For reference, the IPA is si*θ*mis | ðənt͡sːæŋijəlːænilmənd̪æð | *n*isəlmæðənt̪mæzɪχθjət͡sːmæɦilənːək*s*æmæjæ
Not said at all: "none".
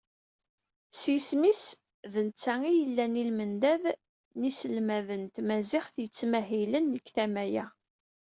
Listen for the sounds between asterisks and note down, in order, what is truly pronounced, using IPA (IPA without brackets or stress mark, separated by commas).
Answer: s, n, θ